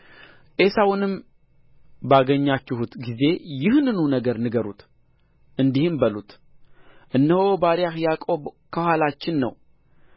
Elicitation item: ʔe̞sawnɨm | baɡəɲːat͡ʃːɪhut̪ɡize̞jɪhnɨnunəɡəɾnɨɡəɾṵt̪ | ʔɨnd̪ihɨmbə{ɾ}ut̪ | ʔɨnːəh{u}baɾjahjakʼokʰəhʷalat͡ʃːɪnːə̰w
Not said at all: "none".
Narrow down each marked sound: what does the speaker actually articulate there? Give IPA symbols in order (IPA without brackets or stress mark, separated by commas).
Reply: l, o